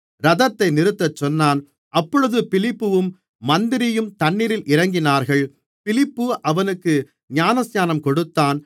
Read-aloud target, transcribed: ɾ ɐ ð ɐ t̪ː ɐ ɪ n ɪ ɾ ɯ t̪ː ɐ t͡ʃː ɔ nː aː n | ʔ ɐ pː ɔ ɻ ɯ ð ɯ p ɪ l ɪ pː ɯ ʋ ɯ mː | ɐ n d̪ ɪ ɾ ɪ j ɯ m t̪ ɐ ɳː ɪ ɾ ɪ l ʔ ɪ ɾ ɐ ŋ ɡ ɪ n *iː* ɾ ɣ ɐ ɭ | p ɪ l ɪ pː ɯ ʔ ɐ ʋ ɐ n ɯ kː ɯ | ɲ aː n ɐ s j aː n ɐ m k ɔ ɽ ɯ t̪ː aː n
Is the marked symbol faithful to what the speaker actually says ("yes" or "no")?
no